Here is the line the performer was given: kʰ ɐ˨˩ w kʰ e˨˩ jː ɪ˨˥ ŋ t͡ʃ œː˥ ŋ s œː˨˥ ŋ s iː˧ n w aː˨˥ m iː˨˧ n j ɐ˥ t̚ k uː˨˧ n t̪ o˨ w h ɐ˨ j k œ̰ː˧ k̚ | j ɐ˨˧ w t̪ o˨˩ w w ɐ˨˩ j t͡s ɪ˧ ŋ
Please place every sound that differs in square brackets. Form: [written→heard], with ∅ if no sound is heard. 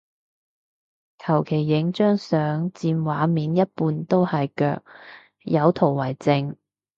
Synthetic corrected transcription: kʰ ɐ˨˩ w kʰ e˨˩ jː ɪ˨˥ ŋ t͡ʃ œː˥ ŋ s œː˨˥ ŋ [s→t͡s] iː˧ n w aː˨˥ m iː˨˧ n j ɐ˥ t̚ [k→p] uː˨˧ n t̪ [o˨→o˥] w h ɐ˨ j k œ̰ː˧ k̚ | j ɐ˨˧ w [t̪→t̪ʰ] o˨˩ w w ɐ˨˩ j t͡s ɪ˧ ŋ